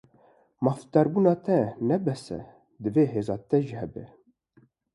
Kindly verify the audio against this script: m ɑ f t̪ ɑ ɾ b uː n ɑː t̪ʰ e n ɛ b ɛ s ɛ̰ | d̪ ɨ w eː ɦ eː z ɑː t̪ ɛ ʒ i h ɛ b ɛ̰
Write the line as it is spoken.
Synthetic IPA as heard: m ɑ f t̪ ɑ ɾ b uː n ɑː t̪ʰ ɛ n ɛ b ɛ s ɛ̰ | d̪ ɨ v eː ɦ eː z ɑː t̪ ɛ ʒ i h ɛ b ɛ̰